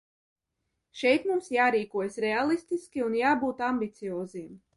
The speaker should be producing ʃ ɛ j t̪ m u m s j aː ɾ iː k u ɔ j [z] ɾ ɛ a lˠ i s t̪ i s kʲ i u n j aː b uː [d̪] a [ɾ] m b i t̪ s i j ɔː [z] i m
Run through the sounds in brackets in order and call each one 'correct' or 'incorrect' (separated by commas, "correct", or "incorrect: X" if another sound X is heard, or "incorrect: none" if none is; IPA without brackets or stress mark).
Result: incorrect: s, incorrect: t̪, incorrect: none, correct